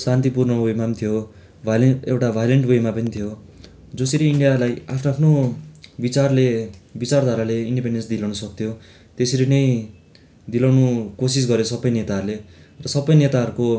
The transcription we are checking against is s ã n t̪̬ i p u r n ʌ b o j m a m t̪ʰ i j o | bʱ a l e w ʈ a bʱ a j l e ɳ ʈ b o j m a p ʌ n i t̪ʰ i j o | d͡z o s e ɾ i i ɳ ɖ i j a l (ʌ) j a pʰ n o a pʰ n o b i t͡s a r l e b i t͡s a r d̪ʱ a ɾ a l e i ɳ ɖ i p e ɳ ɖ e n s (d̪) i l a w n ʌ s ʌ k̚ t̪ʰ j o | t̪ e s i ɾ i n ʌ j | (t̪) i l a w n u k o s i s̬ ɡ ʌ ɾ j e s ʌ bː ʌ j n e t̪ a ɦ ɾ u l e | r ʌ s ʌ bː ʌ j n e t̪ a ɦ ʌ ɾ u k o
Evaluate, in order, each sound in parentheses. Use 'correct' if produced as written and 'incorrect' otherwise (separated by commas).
incorrect, correct, incorrect